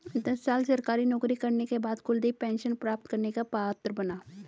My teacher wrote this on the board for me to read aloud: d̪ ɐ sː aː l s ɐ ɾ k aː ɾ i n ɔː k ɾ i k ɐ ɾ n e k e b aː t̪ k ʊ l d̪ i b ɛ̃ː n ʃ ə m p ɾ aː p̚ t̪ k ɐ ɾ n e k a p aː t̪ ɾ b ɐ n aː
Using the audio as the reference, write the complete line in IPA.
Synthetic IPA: d̪ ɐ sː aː l s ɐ ɾ k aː ɾ i n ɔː k ɾ i k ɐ ɾ n e k e b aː d̪ k ʊ l d̪ i p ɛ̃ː n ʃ ə n p ɾ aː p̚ t̪ k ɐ ɾ n e k a p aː t̪ ɾ b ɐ n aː